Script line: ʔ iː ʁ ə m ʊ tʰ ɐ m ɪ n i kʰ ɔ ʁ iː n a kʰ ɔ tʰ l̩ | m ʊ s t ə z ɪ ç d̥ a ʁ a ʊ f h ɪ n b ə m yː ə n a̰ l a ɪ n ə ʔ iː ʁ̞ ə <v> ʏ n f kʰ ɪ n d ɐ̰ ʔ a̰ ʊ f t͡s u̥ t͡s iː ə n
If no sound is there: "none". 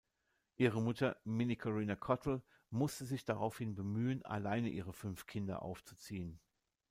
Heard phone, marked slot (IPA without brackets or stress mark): f